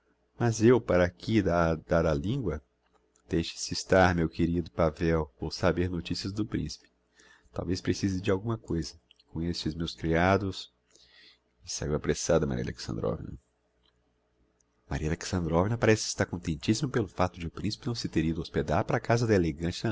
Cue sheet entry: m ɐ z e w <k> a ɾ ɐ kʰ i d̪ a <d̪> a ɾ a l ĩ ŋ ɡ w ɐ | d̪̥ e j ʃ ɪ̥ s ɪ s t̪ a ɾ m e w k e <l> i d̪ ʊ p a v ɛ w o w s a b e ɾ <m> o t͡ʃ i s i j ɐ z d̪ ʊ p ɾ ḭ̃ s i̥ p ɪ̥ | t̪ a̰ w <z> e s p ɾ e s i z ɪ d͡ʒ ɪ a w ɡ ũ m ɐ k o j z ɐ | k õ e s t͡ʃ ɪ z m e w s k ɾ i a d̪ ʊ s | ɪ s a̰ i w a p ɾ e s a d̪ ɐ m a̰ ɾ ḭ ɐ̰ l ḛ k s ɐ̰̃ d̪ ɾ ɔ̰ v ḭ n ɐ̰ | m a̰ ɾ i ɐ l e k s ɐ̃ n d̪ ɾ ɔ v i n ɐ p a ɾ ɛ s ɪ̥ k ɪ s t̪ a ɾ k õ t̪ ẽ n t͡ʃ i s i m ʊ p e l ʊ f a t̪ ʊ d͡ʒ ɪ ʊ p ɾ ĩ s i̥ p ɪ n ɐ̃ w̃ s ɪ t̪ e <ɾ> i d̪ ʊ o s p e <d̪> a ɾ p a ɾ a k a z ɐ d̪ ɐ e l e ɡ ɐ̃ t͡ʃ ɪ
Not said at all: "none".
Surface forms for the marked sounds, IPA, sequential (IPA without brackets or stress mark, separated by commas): p, d̪, ɾ, n, v, ɾ, d̪